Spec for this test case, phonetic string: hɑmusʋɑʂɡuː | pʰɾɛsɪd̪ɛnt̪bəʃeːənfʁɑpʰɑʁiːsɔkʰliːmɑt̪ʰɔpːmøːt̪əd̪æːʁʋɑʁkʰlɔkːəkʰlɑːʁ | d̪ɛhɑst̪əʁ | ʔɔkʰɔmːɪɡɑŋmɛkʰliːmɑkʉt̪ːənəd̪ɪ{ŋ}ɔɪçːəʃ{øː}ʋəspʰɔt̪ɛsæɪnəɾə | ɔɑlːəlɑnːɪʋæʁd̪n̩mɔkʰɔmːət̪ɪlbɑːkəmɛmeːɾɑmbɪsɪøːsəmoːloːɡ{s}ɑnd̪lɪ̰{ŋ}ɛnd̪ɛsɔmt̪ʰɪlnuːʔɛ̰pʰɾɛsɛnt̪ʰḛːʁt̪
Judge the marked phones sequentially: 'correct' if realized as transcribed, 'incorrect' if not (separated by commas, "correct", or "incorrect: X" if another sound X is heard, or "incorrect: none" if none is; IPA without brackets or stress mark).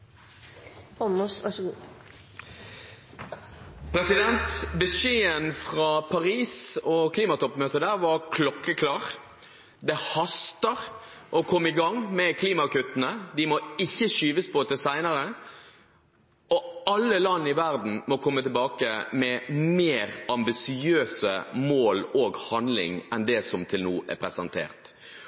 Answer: incorrect: m, incorrect: yː, incorrect: h, correct